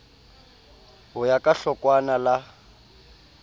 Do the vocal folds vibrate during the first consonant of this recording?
yes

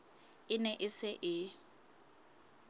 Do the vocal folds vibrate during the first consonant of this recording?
yes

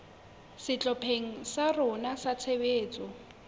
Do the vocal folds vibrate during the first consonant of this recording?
no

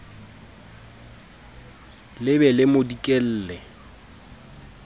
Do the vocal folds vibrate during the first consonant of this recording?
yes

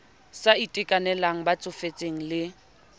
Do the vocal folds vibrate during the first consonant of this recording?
no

